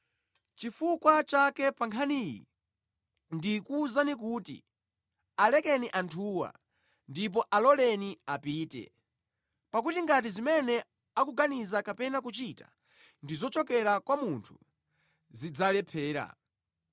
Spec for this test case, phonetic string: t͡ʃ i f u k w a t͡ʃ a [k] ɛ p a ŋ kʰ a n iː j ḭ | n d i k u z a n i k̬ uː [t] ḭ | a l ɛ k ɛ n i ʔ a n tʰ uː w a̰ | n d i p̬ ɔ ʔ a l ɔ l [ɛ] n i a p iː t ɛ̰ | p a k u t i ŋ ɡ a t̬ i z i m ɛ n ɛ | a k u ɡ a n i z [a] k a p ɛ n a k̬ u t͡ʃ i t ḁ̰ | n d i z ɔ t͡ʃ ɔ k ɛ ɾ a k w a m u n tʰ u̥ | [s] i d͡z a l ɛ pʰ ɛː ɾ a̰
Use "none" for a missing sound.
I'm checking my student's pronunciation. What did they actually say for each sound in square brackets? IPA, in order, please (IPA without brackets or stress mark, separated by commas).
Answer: k, t, ɛ, a, z